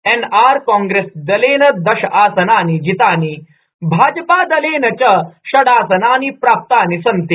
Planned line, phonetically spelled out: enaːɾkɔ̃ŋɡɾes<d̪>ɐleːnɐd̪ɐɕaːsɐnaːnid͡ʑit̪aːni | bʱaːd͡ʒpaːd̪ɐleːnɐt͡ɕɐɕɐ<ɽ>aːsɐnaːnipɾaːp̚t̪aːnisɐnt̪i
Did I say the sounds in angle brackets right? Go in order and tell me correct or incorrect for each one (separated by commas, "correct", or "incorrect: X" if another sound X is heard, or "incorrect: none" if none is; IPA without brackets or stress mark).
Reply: correct, correct